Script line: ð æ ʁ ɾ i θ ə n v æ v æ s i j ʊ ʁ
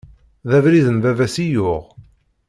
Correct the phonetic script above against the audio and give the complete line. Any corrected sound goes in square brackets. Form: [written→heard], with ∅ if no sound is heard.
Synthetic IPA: ð æ [ʁ→v] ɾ i [θ→ð] ə n v æ v æ s i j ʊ ʁ